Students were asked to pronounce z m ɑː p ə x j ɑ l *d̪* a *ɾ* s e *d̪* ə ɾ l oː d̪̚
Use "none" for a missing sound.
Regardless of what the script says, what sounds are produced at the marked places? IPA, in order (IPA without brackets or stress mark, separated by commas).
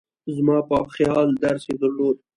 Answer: d̪, ɾ, d̪